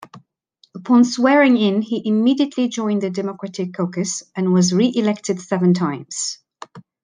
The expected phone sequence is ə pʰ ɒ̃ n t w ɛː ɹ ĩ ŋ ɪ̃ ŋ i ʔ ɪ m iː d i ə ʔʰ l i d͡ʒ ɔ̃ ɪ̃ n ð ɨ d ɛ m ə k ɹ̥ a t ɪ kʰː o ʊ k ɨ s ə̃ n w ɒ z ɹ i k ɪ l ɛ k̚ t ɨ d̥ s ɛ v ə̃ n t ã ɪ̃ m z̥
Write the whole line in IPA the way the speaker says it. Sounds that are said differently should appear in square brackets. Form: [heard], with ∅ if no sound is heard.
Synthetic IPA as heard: ə pʰ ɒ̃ n [s] w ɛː ɹ [ɪ̃] ŋ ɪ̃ [n] i ʔ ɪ m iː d i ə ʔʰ l i d͡ʒ ɔ̃ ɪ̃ n ð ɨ d ɛ m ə k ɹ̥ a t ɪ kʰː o ʊ k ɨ s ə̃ n w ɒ z ɹ i [ʔ] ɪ l ɛ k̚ t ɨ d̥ s ɛ v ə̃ n [tʰ] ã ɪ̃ m z̥